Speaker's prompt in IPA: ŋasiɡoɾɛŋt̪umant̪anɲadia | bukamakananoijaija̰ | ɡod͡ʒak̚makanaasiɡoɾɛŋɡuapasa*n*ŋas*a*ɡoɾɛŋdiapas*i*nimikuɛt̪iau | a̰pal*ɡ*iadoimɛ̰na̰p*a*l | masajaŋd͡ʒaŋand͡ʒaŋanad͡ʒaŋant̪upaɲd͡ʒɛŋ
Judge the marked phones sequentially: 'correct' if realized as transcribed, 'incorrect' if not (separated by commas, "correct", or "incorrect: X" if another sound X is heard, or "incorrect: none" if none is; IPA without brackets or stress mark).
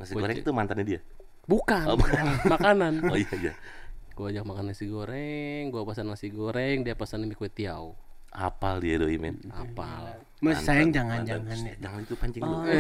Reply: correct, incorrect: i, incorrect: a, incorrect: d, correct